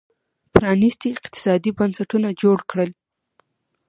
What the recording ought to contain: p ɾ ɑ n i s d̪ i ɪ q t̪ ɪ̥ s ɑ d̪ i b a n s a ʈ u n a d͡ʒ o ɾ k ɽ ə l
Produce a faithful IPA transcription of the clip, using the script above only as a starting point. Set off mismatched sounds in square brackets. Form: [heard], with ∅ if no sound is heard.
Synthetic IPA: p ɾ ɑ n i s [t̪] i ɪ q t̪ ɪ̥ s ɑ d̪ i b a n s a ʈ u n a d͡ʒ o [ɽ] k ɽ ə l

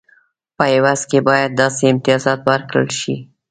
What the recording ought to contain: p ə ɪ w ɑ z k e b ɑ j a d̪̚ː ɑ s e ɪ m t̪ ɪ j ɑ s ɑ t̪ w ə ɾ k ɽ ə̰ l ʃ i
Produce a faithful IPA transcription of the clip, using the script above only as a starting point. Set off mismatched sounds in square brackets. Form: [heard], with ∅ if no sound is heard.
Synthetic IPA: p ə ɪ w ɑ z k e b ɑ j a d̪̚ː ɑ s e ɪ m t̪ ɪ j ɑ [z] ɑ t̪ w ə ɾ k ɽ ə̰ l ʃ i

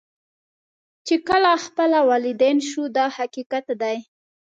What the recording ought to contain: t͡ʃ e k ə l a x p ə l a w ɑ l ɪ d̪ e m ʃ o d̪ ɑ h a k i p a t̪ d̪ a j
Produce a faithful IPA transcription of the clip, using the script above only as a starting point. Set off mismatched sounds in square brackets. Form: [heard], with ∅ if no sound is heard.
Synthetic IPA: t͡ʃ e k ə l a x p ə l a w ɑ l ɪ d̪ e [n] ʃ [u] d̪ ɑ h a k i [k] a t̪ d̪ a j

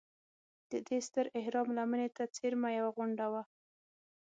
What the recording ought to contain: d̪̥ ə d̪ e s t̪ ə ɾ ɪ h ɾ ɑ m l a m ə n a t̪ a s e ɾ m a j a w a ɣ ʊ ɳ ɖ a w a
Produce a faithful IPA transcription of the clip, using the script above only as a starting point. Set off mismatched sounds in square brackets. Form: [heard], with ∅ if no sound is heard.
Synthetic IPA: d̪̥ ə d̪ e s t̪ ə ɾ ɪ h ɾ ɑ m l a m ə n [e] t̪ a [t͡s] e ɾ m a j a w a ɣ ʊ ɳ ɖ a w a

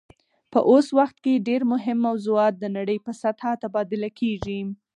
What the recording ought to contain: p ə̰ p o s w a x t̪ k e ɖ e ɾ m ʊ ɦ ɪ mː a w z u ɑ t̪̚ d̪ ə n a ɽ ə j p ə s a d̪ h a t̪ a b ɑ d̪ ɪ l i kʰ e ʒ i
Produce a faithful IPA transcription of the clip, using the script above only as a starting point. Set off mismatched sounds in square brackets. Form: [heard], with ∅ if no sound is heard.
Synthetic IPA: p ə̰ [ʔ] o s w a x t̪ k e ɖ e ɾ m ʊ ɦ ɪ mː a w z u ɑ t̪̚ d̪ ə n a ɽ ə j p ə s a [t̪] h a t̪ a b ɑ d̪ ɪ l [a] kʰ e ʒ i

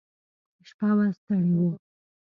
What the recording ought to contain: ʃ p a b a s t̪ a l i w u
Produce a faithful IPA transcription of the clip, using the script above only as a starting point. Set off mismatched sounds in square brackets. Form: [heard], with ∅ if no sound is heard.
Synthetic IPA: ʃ p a [w] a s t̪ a [ɽ] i w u

